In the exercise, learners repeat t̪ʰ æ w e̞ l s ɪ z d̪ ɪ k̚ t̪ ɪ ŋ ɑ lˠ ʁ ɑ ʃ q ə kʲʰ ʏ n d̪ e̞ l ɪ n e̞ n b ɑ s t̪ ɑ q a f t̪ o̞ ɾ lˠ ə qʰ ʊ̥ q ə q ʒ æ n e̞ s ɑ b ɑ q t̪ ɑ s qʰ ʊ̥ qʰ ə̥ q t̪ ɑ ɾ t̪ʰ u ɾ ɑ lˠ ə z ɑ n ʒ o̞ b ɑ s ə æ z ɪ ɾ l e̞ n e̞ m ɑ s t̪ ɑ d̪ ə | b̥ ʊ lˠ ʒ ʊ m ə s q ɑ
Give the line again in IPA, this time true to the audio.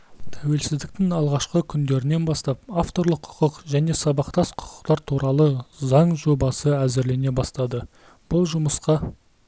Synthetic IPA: t̪ʰ æ w e̞ l s ɪ z d̪ ɪ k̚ t̪ ɪ ŋ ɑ lˠ ʁ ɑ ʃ q ə kʲʰ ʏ n d̪ e̞ ɾ ɪ n e̞ n b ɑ s t̪ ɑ p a f t̪ o̞ ɾ lˠ ə qʰ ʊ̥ q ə q ʒ æ n e̞ s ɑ b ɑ q t̪ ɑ s qʰ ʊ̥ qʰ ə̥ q t̪ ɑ ɾ t̪ʰ u ɾ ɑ lˠ ə z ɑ ɴ ʒ o̞ b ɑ s ə æ z ɪ ɾ l e̞ n e̞ b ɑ s t̪ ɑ d̪ ə | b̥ ʊ lˠ ʒ ʊ m ə s q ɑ